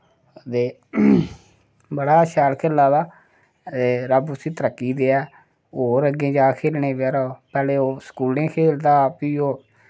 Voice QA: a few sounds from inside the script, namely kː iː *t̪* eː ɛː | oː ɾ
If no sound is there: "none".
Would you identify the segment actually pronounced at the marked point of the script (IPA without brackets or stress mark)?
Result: d̪